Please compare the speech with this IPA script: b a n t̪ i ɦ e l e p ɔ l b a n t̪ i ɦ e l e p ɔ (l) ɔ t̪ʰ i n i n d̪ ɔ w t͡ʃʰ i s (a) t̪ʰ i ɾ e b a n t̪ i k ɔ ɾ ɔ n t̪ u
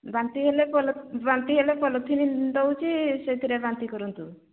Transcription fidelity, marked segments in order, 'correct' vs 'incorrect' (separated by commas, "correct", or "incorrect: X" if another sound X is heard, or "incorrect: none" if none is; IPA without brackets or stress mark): correct, incorrect: e